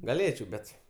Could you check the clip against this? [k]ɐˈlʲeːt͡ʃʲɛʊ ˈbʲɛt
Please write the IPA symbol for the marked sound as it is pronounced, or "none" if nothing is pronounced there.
ɡ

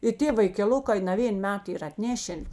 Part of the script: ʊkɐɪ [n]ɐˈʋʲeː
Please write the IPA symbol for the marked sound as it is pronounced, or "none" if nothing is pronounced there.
n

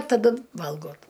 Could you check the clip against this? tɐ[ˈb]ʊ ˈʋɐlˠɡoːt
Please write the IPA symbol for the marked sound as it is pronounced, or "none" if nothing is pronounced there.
d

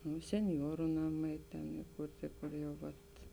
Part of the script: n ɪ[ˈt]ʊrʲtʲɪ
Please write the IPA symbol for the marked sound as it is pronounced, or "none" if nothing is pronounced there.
k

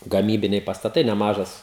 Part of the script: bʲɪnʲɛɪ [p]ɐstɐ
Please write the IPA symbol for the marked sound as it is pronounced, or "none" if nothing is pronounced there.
p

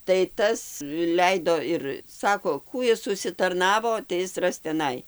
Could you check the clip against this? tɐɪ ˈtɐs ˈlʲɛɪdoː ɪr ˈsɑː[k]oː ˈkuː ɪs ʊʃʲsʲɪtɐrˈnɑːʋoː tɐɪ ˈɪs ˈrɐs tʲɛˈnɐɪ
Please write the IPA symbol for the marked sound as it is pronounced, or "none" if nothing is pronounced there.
k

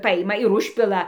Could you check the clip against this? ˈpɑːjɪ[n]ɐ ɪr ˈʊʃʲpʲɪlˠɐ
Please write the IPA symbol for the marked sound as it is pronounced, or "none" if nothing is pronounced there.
m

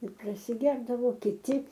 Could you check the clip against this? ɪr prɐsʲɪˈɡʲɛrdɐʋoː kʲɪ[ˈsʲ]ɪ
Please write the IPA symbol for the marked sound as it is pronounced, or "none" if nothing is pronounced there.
tʲ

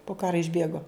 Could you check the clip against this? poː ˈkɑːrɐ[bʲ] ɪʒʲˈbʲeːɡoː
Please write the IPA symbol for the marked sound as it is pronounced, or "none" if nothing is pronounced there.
none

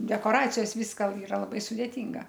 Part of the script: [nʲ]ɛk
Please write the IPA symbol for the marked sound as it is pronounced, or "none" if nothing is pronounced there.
dʲ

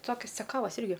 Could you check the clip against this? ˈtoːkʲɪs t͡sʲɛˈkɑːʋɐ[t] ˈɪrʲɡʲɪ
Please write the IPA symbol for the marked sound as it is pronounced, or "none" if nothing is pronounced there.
s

